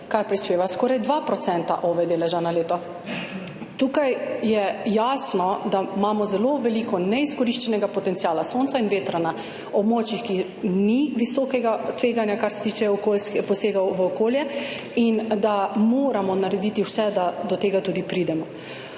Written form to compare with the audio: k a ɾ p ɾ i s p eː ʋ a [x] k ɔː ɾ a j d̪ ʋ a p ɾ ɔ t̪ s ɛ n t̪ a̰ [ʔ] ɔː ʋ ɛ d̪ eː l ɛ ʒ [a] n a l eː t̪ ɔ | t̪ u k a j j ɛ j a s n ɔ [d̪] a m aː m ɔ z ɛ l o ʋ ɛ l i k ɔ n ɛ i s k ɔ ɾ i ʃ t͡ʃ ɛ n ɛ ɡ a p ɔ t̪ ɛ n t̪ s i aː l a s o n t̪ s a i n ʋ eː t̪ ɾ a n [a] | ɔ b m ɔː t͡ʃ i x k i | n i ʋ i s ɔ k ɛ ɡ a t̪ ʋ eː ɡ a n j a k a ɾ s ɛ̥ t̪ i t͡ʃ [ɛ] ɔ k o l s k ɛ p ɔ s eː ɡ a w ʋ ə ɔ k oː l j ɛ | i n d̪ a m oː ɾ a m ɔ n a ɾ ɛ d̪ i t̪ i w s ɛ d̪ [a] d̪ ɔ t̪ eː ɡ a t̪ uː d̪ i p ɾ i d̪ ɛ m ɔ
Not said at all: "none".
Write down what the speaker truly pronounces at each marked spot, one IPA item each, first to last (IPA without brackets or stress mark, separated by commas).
s, ʔ, a, d̪, a, ɛ, a